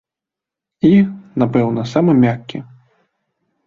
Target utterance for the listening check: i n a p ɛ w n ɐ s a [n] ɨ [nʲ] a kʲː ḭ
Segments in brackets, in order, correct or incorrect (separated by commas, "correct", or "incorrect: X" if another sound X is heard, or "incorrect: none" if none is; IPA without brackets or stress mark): incorrect: m, incorrect: mʲ